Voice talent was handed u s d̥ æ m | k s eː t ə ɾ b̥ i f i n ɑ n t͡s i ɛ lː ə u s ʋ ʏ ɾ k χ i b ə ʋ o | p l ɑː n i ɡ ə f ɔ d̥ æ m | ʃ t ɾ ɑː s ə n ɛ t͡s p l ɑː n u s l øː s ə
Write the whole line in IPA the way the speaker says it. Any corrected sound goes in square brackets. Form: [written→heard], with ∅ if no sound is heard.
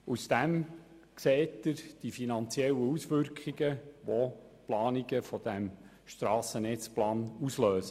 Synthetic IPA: u s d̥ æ m | k s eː t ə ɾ [b̥→d̥] i f i n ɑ n t͡s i ɛ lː ə u s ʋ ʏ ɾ k χ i [b→ɡ] ə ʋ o | p l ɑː n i ɡ ə f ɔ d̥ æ m | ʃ t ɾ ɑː s ə n ɛ t͡s p l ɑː n u s l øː s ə

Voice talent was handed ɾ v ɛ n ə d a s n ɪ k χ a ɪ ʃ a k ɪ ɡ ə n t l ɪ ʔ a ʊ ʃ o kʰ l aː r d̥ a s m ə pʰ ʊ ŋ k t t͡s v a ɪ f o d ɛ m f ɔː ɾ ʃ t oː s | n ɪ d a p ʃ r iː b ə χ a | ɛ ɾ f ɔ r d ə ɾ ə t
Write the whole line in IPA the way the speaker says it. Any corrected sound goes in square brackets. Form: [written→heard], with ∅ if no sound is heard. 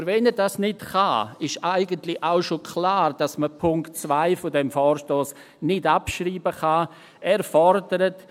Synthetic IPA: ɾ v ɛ n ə d a s n ɪ [k→t] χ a ɪ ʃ a [k→∅] ɪ ɡ ə n t l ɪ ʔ a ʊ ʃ o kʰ l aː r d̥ a s m ə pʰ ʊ ŋ k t t͡s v a ɪ f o d ɛ m f ɔː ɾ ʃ t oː s | n ɪ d a p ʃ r iː b ə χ a | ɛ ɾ f ɔ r d ə ɾ ə t

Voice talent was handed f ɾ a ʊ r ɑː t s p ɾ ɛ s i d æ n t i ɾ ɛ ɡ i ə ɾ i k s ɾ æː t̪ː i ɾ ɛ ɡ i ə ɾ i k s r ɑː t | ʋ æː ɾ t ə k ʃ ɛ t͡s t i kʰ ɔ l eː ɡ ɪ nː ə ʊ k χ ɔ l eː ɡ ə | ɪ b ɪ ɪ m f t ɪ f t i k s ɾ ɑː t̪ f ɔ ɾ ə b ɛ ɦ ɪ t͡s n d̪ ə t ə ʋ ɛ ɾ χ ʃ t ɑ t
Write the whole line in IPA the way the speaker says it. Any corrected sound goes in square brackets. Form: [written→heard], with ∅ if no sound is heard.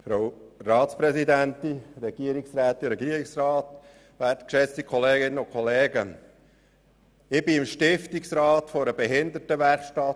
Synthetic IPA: f ɾ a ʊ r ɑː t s p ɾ ɛ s i d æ n t i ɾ ɛ ɡ i ə ɾ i k s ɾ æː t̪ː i ɾ ɛ ɡ i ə ɾ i k s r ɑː t | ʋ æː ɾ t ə k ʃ ɛ t͡s t i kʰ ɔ l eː ɡ ɪ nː ə ʊ k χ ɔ l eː ɡ ə | ɪ b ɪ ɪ m [f→ʃ] t ɪ f t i k s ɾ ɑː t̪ f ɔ ɾ ə b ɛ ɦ ɪ [t͡s→∅] n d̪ ə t ə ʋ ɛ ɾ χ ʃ t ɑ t

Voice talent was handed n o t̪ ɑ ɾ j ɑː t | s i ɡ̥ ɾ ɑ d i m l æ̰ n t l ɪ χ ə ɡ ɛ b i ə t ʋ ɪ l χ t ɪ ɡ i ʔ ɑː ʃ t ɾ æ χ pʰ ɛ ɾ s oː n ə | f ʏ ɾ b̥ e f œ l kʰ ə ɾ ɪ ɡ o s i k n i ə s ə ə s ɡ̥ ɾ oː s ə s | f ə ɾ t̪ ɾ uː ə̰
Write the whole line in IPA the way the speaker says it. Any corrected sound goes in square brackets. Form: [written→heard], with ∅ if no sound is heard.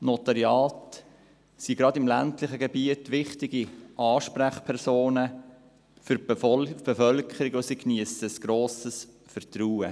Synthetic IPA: n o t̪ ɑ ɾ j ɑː t | s i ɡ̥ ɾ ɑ d [i→ɪ] m l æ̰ n t l ɪ χ ə ɡ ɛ b i ə t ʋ ɪ [l→∅] χ t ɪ ɡ i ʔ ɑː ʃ [t→p] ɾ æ χ pʰ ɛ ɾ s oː n ə | f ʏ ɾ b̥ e f œ l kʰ ə ɾ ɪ ɡ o s i k n i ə s ə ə s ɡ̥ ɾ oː s ə s | f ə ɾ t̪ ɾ uː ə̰

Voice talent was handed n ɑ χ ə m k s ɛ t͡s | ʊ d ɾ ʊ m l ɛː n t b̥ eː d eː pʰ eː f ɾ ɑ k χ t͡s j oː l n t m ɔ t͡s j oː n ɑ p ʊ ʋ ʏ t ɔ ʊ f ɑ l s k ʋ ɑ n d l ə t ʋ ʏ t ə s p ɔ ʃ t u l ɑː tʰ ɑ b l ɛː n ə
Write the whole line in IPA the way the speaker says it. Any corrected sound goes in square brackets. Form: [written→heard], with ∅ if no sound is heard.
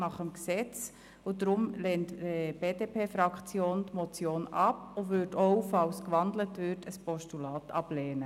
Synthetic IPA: n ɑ χ ə m k s ɛ t͡s | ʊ d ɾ ʊ m l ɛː n t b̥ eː d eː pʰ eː f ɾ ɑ k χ t͡s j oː [l→∅] n t m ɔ t͡s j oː n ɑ p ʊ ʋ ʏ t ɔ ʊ f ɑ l s k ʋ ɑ n d l ə t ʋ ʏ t ə s p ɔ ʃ t u l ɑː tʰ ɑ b l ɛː n ə

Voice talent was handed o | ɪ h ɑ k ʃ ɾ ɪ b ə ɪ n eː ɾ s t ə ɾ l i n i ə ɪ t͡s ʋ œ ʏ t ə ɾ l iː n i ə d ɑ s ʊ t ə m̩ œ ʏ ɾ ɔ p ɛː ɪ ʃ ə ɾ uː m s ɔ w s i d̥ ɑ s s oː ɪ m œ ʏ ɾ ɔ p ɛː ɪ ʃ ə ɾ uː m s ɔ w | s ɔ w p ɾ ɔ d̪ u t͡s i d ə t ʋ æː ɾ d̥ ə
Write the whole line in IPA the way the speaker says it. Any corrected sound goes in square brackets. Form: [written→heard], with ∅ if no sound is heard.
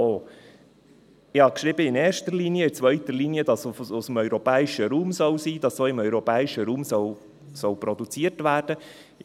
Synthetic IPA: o | ɪ h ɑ k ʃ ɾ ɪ b ə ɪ n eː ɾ [s→ʃ] t ə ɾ l i n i ə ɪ t͡s ʋ œ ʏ t ə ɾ l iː n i ə d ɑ s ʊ [t→s] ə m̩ œ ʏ ɾ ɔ p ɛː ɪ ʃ ə ɾ uː m s ɔ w s [i→iː] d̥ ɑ s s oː ɪ m œ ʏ ɾ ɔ p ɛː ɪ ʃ ə ɾ uː m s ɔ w | s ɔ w p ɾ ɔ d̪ u t͡s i [d→∅] ə t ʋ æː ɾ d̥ ə

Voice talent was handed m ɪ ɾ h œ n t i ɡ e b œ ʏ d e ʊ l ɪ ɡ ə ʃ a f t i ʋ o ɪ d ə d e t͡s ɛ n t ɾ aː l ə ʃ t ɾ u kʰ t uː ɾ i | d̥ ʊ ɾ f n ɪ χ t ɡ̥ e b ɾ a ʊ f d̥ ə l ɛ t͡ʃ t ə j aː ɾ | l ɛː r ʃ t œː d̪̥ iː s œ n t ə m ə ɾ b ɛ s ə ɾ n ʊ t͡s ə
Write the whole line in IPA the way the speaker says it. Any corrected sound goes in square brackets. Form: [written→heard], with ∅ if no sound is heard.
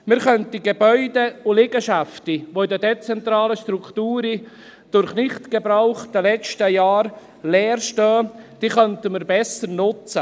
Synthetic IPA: m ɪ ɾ [h→χ] œ n t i ɡ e b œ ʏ d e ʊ l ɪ ɡ ə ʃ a f t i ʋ o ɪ d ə d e t͡s ɛ n t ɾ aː l ə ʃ t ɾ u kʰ t uː ɾ i | d̥ ʊ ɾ [f→χ] n ɪ χ t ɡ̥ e b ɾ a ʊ [f→χ] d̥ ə l ɛ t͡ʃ t ə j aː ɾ | l ɛː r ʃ t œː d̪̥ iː [s→χ] œ n t ə m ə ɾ b ɛ s ə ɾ n ʊ t͡s ə

